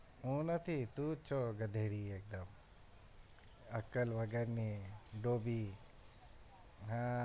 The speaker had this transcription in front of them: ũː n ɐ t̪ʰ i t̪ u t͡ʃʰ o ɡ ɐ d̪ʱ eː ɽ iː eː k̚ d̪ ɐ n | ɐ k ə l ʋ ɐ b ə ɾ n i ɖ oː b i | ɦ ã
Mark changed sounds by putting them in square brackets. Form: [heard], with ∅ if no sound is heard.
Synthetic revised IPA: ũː n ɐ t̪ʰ i t̪ u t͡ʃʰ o ɡ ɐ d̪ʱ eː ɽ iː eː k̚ d̪ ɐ [m] | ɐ k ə l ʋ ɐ [ɡ] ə ɾ n i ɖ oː b i | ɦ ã

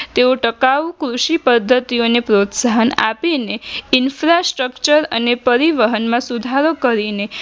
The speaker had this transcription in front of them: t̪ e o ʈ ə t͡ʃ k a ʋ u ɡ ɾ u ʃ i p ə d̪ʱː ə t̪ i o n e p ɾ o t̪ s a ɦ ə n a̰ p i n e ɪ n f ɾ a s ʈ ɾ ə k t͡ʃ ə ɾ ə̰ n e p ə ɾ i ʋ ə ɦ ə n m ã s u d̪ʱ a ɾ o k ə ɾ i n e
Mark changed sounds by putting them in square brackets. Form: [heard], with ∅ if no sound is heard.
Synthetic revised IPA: t̪ e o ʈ ə [∅] k a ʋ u [k] ɾ u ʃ i p ə d̪ʱː ə t̪ i o n e p ɾ o t̪ s a ɦ ə n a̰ p i n e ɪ n f ɾ a s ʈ ɾ ə k t͡ʃ ə ɾ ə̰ n e p ə ɾ i ʋ ə ɦ ə n m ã s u d̪ʱ a ɾ o k ə ɾ i n e

